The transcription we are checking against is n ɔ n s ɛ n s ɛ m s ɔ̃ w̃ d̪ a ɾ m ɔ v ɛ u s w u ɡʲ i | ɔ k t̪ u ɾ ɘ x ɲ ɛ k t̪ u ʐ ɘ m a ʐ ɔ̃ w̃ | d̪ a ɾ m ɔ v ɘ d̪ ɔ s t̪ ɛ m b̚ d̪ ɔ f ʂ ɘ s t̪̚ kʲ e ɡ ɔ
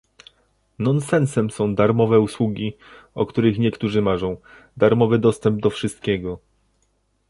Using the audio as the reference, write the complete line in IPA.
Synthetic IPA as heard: n ɔ n s ɛ n s ɛ m s ɔ̃ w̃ d̪ a ɾ m ɔ v ɛ u s w u ɡʲ i | ɔ k t̪ u ɾ ɘ x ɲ ɛ k t̪ u ʐ ɘ m a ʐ ɔ̃ w̃ | d̪ a ɾ m ɔ v ɘ d̪ ɔ s t̪ ɛ m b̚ d̪ ɔ f ʂ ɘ s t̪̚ kʲ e ɡ ɔ